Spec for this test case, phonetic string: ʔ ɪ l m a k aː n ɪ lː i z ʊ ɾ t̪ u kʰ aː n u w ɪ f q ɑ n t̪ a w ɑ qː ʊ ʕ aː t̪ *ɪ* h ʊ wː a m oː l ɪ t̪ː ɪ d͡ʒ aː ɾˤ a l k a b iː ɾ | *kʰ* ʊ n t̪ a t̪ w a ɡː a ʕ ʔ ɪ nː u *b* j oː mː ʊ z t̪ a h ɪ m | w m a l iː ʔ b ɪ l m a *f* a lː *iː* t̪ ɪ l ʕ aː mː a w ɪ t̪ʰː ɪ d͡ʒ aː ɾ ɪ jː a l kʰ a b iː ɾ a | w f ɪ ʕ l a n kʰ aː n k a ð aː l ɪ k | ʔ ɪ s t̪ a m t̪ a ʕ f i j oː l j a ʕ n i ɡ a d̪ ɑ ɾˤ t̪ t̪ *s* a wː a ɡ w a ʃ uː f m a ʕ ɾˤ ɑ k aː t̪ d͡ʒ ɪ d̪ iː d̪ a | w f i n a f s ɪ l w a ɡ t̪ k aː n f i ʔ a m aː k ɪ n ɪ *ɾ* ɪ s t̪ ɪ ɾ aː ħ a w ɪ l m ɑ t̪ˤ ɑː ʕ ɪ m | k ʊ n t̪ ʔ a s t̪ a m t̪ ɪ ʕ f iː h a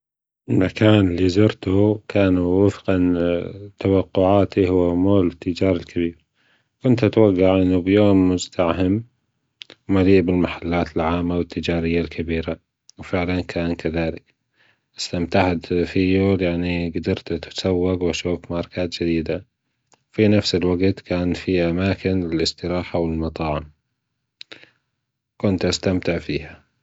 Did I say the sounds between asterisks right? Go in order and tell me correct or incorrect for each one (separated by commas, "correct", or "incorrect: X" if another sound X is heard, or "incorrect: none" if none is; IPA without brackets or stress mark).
incorrect: i, incorrect: k, correct, incorrect: ħ, incorrect: aː, correct, incorrect: l